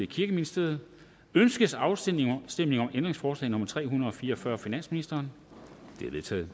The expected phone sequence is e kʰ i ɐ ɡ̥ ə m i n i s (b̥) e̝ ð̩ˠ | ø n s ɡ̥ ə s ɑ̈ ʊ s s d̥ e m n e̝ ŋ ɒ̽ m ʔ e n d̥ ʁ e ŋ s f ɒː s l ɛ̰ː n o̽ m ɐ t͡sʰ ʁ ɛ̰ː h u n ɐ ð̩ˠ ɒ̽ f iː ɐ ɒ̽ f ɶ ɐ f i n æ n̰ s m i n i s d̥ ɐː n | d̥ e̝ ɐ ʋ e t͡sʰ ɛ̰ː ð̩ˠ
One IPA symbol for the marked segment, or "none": d̥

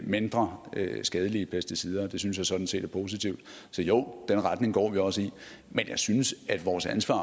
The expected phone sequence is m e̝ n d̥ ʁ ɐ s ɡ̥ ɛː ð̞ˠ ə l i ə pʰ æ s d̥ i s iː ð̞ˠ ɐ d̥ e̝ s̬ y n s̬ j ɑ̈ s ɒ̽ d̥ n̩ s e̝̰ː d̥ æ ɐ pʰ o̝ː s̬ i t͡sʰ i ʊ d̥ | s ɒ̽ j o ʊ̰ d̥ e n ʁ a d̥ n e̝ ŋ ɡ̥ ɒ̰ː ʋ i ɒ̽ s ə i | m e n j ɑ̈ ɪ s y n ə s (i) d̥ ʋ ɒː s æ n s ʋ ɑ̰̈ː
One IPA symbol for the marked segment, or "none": æ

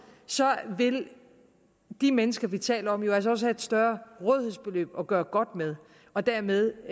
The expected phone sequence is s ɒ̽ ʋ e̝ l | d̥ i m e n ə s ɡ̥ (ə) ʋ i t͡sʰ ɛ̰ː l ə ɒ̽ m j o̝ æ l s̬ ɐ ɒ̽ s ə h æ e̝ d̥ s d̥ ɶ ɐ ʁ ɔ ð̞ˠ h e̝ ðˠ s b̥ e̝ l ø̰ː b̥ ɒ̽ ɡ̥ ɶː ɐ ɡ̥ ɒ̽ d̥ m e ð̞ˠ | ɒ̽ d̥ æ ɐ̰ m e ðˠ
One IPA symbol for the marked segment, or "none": ɐ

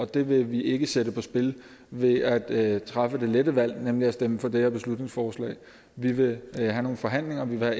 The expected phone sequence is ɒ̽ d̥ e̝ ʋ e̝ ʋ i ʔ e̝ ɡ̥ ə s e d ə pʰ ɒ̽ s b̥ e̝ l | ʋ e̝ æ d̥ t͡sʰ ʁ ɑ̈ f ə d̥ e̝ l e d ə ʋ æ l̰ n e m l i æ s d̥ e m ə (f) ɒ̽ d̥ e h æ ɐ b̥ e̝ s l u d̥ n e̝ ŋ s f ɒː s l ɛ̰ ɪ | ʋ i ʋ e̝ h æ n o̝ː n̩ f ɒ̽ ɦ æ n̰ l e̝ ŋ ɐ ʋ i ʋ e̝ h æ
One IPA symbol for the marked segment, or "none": f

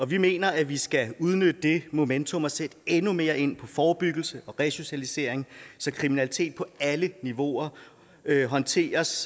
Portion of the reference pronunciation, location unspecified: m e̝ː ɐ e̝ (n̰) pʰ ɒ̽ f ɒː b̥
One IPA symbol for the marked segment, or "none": n̰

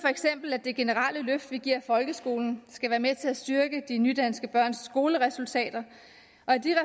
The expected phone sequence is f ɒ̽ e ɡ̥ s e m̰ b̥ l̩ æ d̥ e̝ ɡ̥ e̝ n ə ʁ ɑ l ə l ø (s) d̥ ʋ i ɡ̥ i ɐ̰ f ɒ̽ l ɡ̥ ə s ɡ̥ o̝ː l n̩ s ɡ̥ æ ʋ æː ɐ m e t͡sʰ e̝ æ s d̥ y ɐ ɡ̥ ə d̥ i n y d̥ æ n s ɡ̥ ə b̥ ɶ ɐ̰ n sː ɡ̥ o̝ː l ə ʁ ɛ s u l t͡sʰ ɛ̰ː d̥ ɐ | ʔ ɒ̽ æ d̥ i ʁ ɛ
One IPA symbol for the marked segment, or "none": f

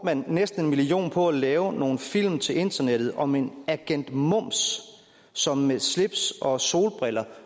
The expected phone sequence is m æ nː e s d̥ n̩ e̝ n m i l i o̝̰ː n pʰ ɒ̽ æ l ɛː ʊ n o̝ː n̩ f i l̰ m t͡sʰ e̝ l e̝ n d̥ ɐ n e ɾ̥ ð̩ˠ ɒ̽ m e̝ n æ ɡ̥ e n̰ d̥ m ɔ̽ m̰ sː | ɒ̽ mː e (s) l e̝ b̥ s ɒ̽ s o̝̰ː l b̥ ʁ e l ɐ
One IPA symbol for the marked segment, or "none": s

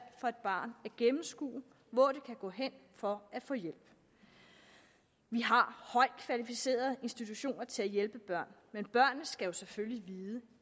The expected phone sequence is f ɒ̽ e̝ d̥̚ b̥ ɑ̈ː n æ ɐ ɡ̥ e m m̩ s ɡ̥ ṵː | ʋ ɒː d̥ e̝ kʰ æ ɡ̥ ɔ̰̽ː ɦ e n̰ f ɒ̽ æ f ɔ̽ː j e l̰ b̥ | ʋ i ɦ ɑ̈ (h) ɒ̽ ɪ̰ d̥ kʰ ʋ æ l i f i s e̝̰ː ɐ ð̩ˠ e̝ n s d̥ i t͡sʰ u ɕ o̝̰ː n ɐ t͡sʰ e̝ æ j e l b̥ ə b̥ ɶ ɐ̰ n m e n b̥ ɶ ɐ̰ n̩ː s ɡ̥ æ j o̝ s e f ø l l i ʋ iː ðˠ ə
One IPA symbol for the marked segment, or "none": h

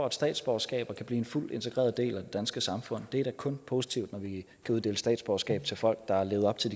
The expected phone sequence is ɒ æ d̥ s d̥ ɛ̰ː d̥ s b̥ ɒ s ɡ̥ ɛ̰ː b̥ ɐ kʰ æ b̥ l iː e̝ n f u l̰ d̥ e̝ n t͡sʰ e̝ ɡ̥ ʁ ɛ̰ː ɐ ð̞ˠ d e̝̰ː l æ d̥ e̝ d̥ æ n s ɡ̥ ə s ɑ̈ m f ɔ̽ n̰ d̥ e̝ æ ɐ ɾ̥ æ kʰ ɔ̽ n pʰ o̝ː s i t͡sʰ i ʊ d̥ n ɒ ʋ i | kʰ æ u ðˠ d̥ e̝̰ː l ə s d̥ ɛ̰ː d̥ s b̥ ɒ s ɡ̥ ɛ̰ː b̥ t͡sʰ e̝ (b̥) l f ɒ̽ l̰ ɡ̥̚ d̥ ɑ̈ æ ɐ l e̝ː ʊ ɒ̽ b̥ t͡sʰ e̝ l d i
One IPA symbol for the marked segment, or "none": none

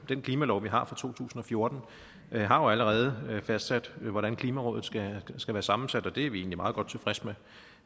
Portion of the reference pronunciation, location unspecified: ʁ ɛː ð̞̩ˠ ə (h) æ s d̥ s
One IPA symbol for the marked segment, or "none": f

